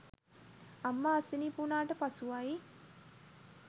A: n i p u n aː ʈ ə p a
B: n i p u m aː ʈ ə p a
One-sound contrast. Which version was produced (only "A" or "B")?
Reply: A